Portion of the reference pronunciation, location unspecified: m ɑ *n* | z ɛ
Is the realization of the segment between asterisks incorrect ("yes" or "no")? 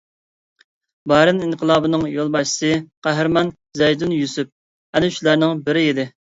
no